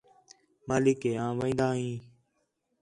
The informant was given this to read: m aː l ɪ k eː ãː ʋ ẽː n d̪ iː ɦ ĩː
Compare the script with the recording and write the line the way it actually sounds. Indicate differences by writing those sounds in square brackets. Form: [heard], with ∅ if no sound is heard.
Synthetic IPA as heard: m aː l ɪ k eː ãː ʋ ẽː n d̪ [aː] ɦ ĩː

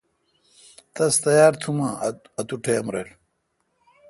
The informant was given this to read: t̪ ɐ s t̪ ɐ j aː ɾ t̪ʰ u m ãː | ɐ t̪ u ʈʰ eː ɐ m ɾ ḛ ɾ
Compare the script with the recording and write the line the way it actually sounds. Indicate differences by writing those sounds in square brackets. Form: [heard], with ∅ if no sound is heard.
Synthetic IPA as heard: t̪ ɐ s t̪ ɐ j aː ɾ t̪ʰ u m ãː | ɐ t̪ u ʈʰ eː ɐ m ɾ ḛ [l]

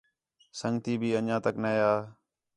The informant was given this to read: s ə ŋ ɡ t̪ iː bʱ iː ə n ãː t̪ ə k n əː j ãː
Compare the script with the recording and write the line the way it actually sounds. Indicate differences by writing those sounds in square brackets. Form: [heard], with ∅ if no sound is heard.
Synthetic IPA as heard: s ə ŋ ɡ t̪ iː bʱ iː ə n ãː t̪ ə k n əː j [aː]

